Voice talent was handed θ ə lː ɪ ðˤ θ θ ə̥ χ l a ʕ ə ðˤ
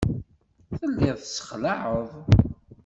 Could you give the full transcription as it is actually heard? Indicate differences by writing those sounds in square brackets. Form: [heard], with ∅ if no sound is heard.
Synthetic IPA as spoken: θ ə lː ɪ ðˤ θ [s] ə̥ χ l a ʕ ə ðˤ